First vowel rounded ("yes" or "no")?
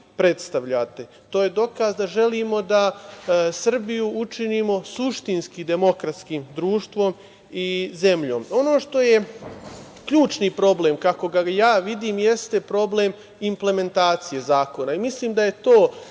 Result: no